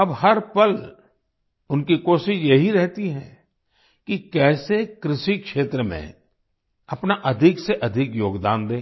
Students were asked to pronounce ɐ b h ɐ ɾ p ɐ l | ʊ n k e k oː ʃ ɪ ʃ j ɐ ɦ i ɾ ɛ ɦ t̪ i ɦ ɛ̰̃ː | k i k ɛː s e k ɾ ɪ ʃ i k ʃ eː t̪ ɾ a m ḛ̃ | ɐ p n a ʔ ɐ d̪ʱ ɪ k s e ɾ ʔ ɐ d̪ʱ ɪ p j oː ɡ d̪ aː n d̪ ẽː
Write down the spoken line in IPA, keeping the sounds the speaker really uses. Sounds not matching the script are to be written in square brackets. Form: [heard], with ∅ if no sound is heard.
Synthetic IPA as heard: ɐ b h ɐ ɾ p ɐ l | ʊ n k [i] k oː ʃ ɪ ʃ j ɐ ɦ i ɾ ɛ ɦ t̪ i ɦ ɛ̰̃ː | k i k ɛː s e k ɾ ɪ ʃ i k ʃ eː t̪ ɾ [ə] m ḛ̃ | ɐ p n a ʔ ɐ d̪ʱ ɪ k s e [∅] ʔ ɐ d̪ʱ ɪ [k] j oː ɡ d̪ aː n d̪ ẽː

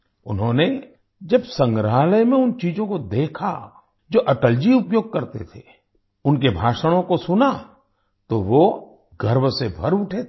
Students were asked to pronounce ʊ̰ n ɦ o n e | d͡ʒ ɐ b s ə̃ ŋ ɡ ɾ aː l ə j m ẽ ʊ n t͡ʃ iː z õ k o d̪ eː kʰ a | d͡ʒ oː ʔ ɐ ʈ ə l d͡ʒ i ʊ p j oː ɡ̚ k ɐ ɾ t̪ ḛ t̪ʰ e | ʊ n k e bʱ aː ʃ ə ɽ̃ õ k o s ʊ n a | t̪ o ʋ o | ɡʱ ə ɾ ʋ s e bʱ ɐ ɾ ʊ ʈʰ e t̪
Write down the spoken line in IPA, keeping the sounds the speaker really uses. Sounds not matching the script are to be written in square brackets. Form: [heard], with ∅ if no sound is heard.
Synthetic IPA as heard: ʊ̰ n ɦ [õ] n e | d͡ʒ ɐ b s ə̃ ŋ ɡ ɾ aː l ə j m ẽ ʊ n t͡ʃ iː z õ k o d̪ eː kʰ a | d͡ʒ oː ʔ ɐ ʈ ə l d͡ʒ i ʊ p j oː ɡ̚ k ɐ ɾ t̪ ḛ t̪ʰ e | ʊ n k e bʱ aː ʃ ə ɽ̃ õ k o s ʊ n a | t̪ o ʋ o | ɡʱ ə ɾ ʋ s e bʱ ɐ ɾ ʊ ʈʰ e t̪

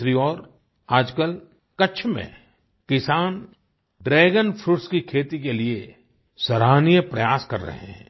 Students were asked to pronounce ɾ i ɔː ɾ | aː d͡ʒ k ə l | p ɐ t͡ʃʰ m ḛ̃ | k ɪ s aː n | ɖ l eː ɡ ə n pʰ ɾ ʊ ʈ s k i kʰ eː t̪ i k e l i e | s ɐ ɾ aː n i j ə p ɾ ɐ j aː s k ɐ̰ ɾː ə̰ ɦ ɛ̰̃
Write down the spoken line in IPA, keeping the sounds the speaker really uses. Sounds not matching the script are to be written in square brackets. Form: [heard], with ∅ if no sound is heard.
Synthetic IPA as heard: ɾ i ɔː ɾ | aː d͡ʒ k ə l | [k] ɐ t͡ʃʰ m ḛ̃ | k ɪ s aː n | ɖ [ɾ] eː ɡ ə n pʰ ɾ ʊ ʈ s k i kʰ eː t̪ i k e l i e | s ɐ ɾ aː n i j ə p ɾ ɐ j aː s k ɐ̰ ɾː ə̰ ɦ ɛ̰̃

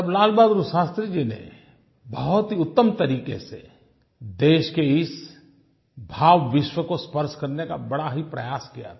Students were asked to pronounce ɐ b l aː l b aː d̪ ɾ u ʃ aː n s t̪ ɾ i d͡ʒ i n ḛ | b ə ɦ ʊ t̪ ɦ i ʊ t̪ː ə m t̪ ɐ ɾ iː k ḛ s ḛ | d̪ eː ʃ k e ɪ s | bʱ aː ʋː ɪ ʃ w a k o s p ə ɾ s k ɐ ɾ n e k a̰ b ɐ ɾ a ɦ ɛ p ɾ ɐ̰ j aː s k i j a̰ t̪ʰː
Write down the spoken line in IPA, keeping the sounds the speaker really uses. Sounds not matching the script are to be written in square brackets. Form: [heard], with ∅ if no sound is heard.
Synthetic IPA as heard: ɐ b l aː l b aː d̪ ɾ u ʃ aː [∅] s t̪ ɾ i d͡ʒ i n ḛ | b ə ɦ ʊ t̪ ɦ i ʊ t̪ː ə m t̪ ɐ ɾ iː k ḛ s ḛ | d̪ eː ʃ k e ɪ s | bʱ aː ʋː ɪ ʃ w [ə] k o s p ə ɾ [ʃ] k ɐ ɾ n e k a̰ b ɐ [ɽ] a ɦ [i] p ɾ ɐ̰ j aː s k i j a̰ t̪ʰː

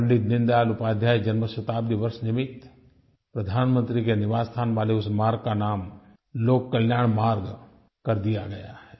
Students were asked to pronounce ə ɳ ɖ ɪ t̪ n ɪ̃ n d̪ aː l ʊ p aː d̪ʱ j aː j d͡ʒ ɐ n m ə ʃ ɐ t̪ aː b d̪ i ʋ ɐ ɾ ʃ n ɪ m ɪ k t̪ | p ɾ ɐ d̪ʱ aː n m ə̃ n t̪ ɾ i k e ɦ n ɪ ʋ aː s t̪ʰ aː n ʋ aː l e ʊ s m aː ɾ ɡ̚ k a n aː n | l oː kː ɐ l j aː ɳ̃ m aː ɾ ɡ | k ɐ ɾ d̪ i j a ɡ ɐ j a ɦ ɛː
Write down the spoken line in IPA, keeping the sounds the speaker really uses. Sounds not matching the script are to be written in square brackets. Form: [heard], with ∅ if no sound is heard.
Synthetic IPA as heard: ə ɳ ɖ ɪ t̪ n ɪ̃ n d̪ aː l ʊ p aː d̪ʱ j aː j d͡ʒ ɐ n m ə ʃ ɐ t̪ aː b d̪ i ʋ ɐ ɾ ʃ n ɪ m ɪ [∅] t̪ | p ɾ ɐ d̪ʱ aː n m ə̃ n t̪ ɾ i k e [∅] n ɪ ʋ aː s t̪ʰ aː n ʋ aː l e ʊ s m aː ɾ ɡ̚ k a n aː [m] | l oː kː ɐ l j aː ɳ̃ m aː ɾ ɡ | k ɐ ɾ d̪ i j a ɡ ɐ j a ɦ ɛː

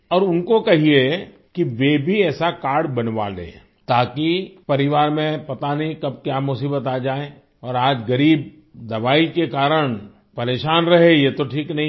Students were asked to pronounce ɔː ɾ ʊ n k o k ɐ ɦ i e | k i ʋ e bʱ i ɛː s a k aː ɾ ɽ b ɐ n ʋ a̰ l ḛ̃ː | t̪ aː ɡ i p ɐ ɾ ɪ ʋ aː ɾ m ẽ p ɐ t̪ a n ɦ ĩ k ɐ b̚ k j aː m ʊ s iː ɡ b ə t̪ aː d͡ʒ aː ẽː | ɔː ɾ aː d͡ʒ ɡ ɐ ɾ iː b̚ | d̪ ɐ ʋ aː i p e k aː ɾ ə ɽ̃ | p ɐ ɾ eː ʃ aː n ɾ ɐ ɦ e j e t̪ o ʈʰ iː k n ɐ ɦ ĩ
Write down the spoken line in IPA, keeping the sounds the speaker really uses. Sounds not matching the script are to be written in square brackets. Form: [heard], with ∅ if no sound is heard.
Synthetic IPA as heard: ɔː ɾ ʊ n k o k ɐ ɦ i e | k i ʋ e bʱ i ɛː s a k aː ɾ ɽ b ɐ n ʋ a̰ l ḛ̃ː | t̪ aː [k] i p ɐ ɾ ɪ ʋ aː ɾ m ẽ p ɐ t̪ a n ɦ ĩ k ɐ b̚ k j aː m ʊ s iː [∅] b ə t̪ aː d͡ʒ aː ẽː | ɔː ɾ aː d͡ʒ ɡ ɐ ɾ iː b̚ | d̪ ɐ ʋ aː i [k] e k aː ɾ ə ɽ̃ | p ɐ ɾ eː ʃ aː n ɾ ɐ ɦ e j e t̪ o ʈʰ iː k n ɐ ɦ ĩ

